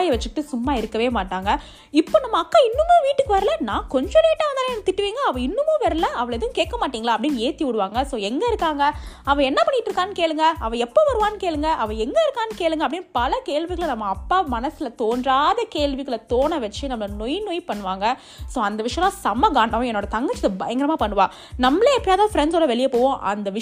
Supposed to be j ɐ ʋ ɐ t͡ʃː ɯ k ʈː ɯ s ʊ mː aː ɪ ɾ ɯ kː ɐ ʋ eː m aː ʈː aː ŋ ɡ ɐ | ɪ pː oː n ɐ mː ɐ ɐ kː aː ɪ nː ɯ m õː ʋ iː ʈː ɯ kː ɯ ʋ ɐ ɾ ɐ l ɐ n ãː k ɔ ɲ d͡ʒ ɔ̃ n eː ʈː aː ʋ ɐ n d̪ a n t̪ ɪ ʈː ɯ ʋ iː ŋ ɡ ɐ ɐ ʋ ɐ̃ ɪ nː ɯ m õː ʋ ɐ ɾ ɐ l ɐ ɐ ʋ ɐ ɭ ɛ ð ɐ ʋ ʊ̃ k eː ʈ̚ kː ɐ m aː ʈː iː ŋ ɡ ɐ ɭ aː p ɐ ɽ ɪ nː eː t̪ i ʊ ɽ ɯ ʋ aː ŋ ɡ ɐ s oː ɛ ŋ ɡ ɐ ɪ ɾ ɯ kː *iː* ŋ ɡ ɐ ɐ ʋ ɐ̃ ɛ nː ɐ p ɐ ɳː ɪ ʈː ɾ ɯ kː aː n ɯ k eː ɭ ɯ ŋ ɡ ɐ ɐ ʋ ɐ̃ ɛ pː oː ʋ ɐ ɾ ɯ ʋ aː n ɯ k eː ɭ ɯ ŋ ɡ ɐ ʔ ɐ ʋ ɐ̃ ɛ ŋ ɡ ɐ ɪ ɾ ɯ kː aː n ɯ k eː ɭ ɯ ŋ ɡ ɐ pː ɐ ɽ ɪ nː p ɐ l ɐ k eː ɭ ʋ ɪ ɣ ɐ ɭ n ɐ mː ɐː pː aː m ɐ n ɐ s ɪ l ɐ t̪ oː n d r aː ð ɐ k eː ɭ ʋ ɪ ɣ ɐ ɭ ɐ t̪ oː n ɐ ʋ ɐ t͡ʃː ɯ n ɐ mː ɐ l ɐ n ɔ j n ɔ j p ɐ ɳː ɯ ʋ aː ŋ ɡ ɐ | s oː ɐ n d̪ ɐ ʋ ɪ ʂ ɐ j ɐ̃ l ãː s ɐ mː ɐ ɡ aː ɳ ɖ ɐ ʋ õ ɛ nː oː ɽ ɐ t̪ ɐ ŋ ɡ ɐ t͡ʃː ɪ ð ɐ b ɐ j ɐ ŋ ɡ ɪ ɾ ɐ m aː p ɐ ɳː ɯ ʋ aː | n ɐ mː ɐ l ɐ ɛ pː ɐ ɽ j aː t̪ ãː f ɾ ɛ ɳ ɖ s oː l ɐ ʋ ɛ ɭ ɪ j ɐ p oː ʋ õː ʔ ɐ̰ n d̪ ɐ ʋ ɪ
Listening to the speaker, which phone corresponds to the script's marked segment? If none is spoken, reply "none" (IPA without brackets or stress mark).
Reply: aː